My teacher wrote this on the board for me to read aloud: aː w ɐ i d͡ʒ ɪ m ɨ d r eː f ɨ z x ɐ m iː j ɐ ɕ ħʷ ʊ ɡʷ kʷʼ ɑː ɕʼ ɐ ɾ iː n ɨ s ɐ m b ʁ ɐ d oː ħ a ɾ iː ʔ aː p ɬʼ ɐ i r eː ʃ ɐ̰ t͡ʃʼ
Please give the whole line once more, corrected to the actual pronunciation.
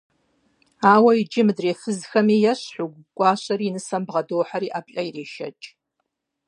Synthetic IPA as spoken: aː w ɐ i d͡ʒ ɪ m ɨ d r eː f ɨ z x ɐ m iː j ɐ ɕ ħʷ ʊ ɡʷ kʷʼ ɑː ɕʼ ɐ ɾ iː n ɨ s ɐ m b ʁ ɐ d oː ħ a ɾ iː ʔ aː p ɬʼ ɐ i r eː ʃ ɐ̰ t͡ʃʼ